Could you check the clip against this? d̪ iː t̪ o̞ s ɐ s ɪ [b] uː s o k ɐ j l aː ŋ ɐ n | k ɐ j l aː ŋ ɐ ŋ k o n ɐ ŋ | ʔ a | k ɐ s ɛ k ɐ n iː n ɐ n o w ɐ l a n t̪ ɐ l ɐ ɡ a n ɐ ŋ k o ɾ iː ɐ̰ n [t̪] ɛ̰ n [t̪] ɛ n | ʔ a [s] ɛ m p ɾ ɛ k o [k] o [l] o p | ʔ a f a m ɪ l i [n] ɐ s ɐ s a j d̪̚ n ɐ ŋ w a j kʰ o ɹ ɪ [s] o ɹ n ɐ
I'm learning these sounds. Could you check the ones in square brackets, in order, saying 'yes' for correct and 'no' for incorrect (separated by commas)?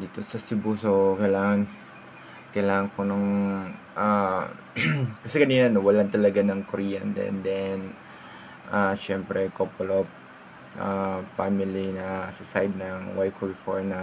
yes, no, no, no, no, yes, yes, no